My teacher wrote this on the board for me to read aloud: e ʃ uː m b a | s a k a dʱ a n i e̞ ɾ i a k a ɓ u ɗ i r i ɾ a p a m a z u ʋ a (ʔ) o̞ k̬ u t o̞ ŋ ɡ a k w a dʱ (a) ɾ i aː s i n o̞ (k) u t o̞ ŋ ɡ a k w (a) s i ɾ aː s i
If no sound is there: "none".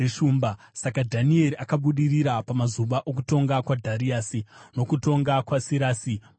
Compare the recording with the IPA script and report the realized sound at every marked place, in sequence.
ʔ, a, k, a

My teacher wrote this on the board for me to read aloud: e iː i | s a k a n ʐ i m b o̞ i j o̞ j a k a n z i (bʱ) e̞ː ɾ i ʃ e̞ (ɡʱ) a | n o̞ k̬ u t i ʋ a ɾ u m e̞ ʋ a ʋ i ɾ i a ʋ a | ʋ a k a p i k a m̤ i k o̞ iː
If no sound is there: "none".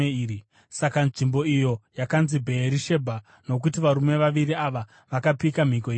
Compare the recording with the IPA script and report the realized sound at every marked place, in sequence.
bʱ, bʱ

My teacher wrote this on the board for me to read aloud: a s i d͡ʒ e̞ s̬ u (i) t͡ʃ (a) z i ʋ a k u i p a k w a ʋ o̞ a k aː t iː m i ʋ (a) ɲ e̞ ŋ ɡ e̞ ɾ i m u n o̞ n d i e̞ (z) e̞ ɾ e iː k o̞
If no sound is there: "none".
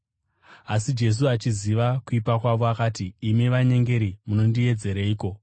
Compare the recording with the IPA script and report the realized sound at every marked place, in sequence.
a, i, a, d͡z

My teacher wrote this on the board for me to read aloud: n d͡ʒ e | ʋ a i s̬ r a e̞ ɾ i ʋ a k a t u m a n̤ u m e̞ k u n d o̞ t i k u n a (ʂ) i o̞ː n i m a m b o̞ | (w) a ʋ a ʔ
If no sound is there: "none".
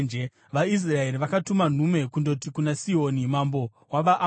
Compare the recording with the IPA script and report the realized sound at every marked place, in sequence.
s, w

